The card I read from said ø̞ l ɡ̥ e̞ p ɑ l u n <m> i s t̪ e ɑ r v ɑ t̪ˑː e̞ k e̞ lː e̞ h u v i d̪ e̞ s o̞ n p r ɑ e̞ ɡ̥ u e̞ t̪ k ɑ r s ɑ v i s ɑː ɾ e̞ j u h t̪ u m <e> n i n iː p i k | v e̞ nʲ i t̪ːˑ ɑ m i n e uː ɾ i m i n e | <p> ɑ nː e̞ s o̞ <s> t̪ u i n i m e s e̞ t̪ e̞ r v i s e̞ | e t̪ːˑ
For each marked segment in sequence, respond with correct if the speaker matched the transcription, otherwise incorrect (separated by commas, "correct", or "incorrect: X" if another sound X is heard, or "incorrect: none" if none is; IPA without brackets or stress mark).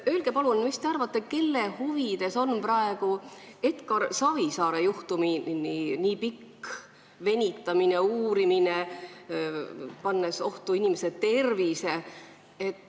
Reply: correct, incorrect: i, correct, incorrect: h